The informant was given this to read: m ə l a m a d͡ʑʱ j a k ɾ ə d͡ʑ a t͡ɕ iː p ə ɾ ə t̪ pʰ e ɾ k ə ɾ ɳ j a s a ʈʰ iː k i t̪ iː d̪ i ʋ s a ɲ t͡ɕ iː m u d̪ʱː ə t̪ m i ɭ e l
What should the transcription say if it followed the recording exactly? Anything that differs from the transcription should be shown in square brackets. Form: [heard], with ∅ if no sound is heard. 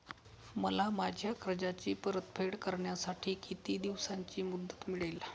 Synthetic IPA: m ə l a m a d͡ʑʱ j a k ɾ ə d͡ʑ a t͡ɕ iː p ə ɾ ə t̪ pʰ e [ɽ] k ə ɾ ɳ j a s a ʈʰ iː k i t̪ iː d̪ i ʋ s a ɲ t͡ɕ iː m u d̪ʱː ə t̪ m i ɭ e l